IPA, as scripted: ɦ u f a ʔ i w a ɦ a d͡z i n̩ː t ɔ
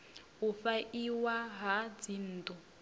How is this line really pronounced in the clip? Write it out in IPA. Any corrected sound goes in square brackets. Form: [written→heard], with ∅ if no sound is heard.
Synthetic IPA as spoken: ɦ u f a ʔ i w a ɦ a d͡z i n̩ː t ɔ